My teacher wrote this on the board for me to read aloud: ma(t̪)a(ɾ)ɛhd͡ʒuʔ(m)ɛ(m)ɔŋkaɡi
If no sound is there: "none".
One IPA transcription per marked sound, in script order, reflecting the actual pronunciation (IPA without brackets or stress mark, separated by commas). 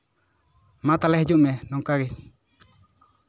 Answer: t̪, l, m, n